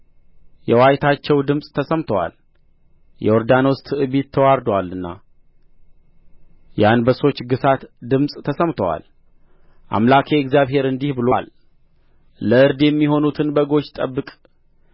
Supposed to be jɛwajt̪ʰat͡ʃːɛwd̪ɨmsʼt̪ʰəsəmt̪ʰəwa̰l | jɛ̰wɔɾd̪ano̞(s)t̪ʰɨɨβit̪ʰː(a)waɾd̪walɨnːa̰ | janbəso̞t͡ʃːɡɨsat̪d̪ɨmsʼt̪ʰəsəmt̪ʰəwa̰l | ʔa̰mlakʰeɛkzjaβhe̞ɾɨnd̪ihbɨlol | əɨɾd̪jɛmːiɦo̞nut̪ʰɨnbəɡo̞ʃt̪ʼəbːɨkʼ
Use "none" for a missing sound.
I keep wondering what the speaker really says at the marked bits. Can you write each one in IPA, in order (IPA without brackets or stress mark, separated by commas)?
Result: s, ə